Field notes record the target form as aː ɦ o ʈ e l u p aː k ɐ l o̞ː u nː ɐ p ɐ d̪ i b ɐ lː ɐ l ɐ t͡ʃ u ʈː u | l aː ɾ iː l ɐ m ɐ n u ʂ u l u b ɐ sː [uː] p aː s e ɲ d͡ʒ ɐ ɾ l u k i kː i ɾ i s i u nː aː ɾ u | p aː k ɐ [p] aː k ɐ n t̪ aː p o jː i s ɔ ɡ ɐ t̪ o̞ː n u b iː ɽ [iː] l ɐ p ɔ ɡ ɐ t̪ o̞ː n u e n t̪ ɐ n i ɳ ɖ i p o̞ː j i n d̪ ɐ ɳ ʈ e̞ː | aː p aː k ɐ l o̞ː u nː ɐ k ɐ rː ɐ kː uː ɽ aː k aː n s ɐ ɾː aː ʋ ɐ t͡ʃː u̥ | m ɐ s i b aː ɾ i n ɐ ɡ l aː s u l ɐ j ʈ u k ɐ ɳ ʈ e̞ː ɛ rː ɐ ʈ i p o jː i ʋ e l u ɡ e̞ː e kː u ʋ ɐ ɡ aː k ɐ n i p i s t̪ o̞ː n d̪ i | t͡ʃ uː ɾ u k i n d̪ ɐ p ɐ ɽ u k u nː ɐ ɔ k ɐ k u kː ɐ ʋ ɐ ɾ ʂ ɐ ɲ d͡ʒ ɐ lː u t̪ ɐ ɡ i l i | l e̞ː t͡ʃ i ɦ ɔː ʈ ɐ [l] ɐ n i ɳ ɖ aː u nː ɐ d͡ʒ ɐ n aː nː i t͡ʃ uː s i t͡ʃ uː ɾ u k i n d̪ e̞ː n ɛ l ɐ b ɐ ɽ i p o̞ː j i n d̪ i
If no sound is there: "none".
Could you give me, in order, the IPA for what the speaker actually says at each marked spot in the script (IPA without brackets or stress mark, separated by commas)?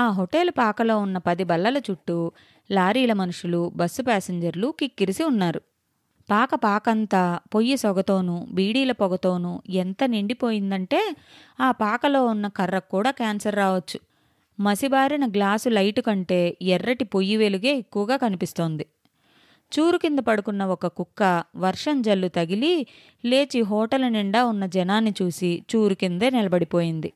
u, p, iː, l